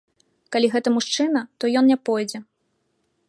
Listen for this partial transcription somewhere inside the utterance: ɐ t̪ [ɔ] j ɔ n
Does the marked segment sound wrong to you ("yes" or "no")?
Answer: no